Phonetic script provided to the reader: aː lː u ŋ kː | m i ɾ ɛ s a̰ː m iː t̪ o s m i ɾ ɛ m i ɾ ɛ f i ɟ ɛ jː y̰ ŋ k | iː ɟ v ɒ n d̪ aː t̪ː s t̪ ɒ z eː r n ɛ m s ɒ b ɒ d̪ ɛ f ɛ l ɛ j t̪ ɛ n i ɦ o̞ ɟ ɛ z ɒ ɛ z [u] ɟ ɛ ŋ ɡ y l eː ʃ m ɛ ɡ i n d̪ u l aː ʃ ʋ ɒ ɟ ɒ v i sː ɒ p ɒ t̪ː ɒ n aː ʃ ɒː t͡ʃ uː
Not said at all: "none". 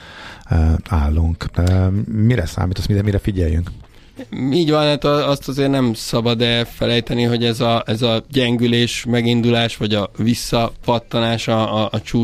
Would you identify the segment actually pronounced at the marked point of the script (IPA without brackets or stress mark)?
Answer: ɒ